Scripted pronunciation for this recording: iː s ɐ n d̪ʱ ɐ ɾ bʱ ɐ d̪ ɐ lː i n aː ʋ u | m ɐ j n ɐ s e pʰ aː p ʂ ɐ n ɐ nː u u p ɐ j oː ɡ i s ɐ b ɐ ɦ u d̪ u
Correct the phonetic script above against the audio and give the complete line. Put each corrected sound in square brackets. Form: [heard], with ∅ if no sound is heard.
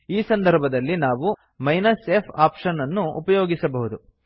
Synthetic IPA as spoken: iː s ɐ n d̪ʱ ɐ ɾ bʱ ɐ d̪ ɐ lː i n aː ʋ u | m ɐ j n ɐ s e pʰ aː p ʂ ɐ n ɐ nː u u p ɐ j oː ɡ i s ɐ b ɐ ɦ u d̪ u